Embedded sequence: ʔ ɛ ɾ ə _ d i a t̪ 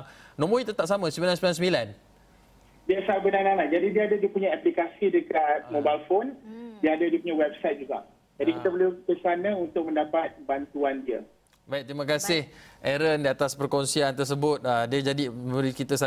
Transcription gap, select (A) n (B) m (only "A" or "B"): A